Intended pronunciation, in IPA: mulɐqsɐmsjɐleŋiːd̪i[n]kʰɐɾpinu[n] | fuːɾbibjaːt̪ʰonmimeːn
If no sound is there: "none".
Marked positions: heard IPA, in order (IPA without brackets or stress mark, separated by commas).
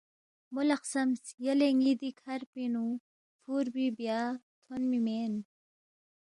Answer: none, none